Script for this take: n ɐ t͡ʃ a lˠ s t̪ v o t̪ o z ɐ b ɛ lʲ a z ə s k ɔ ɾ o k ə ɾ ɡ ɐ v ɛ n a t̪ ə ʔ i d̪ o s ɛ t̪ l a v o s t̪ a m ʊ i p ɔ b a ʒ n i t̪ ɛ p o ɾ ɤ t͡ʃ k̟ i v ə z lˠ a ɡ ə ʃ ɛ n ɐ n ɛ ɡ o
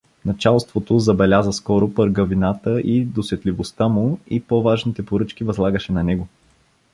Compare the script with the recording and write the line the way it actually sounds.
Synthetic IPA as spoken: n ɐ t͡ʃ a lˠ s t̪ v o t̪ o z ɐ b ɛ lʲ a z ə s k ɔ ɾ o p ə ɾ ɡ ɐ v i n a t̪ ə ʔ i d̪ o s ɛ t̪ l i v o s t̪ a m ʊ i p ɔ v a ʒ n i t̪ ɛ p o ɾ ɤ t͡ʃ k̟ i v ɐ z lˠ a ɡ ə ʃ ɛ n ɐ n ɛ ɡ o